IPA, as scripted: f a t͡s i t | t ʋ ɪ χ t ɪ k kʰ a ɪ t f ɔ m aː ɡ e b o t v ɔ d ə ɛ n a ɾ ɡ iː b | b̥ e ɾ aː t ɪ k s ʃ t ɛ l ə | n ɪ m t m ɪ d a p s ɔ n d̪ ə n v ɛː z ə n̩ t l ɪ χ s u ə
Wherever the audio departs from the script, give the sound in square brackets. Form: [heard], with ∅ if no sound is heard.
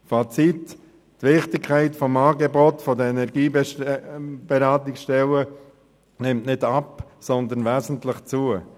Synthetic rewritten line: f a t͡s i t | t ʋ ɪ χ t ɪ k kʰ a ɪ t f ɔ m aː ɡ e b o t [f] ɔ d ə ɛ n [ɛ] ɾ ɡ iː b | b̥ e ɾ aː t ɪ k s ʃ t ɛ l ə | n ɪ m t [n] ɪ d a p s ɔ n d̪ ə n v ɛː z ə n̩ t l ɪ χ [t͡s] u ə